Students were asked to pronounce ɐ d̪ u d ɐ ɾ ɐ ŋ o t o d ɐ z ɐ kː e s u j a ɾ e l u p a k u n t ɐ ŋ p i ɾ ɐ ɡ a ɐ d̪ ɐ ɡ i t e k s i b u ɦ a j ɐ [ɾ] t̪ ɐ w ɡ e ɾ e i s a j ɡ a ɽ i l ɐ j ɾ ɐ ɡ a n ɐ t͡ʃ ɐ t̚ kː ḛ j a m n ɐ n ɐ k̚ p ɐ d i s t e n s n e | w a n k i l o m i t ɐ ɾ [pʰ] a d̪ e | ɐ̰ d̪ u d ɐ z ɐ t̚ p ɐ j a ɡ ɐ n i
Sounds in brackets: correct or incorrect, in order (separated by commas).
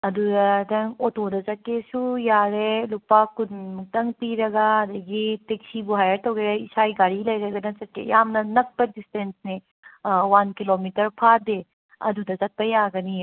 correct, correct